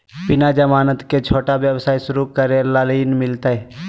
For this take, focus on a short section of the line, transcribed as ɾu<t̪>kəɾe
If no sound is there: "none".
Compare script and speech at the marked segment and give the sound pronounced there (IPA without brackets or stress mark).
none